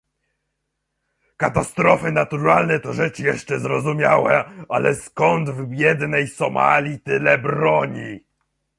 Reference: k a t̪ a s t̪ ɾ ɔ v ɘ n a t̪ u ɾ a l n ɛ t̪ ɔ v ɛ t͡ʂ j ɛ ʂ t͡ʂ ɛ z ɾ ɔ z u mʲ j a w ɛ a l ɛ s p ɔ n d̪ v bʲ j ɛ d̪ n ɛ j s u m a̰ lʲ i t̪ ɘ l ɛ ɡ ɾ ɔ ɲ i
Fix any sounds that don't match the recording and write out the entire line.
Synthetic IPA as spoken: k a t̪ a s t̪ ɾ ɔ f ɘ n a t̪ u ɾ a l n ɛ t̪ ɔ ʐ ɛ t͡ʂ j ɛ ʂ t͡ʂ ɛ z ɾ ɔ z u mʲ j a w ɛ a l ɛ s k ɔ n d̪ v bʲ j ɛ d̪ n ɛ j s ɔ m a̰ lʲ i t̪ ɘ l ɛ b ɾ ɔ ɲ i